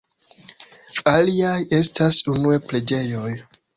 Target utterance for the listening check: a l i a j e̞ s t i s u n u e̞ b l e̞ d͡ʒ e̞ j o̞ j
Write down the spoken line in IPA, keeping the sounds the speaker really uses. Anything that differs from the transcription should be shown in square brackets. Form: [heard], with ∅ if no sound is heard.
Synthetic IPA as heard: a l i a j e̞ s t [a] s u n u e̞ [p] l e̞ d͡ʒ e̞ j o̞ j